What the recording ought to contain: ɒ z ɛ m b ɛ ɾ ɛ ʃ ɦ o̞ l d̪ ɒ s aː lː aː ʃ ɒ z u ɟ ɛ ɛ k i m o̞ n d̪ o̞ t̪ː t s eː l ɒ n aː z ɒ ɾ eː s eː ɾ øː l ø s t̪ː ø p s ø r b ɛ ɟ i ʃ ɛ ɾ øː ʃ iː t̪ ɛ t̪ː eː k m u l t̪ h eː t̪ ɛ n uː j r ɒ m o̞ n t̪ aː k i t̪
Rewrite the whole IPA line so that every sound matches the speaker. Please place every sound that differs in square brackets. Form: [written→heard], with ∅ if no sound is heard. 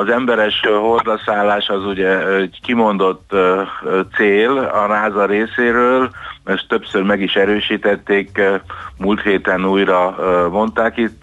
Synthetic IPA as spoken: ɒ z ɛ m b ɛ ɾ ɛ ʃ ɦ o̞ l d̪ ɒ s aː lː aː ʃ ɒ z u ɟ ɛ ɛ k i m o̞ n d̪ o̞ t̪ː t s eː l ɒ n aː z ɒ ɾ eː s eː ɾ øː l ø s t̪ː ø p s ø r [b→m] ɛ [ɟ→ɡ] i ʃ ɛ ɾ øː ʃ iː t̪ ɛ t̪ː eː k m u l t̪ h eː t̪ ɛ n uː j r ɒ m o̞ n t̪ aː k i t̪